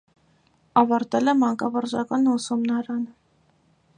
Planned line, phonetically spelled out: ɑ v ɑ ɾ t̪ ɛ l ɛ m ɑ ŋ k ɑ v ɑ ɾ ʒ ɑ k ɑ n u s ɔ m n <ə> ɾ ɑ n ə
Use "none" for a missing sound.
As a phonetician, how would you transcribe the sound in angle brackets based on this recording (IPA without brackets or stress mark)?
ɑ